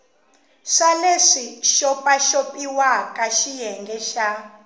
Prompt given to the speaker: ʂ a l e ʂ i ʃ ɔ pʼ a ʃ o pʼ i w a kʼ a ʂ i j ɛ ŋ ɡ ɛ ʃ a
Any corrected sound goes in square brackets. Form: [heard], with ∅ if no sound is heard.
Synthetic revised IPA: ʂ a l e ʂ i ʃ ɔ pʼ a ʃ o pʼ i w a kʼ a [ʃ] i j ɛ ŋ ɡ ɛ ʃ a